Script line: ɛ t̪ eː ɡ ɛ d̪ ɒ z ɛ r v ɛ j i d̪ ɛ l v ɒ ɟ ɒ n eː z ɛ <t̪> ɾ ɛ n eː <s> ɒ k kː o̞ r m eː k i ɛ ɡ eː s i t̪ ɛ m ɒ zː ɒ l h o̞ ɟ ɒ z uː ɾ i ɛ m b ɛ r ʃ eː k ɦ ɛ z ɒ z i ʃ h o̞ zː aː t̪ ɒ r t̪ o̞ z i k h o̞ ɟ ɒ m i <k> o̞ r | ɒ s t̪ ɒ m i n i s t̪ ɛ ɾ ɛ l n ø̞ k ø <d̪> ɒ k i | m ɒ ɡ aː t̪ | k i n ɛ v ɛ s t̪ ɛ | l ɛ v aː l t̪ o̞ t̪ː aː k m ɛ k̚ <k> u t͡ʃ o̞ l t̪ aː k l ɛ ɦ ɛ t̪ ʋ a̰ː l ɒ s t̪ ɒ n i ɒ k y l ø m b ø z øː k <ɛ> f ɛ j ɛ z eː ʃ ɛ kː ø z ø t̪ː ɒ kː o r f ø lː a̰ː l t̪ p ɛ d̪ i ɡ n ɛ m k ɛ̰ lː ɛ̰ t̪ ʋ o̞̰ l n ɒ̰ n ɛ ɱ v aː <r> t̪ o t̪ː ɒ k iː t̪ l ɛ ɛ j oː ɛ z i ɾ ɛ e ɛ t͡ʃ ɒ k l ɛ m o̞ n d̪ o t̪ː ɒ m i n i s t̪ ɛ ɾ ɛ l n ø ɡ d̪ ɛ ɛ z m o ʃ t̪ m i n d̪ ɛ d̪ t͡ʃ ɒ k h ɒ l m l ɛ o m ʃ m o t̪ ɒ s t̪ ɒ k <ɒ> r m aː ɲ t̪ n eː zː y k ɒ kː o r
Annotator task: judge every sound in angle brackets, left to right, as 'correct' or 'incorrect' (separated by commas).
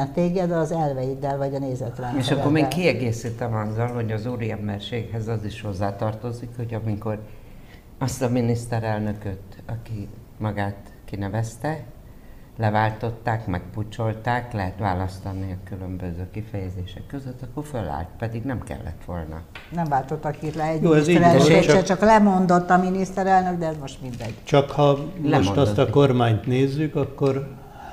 correct, incorrect, correct, incorrect, incorrect, incorrect, incorrect, incorrect